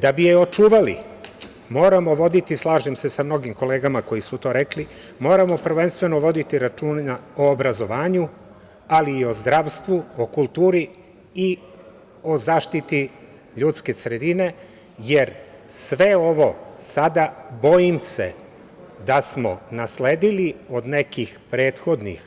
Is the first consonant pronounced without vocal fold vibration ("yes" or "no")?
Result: no